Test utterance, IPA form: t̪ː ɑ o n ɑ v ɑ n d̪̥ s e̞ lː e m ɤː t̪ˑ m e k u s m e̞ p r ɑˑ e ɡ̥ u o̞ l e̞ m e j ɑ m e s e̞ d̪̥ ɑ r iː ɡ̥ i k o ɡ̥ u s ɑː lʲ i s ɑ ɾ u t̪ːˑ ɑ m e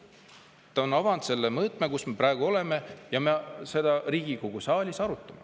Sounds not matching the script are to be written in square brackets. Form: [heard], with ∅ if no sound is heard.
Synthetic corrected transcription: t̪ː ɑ o n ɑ v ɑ n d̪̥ s e̞ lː e m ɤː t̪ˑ m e k u s m e̞ p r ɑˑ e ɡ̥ u o̞ l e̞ m e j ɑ m e s e̞ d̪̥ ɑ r iː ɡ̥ i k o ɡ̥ u s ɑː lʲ i s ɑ ɾ u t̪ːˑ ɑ m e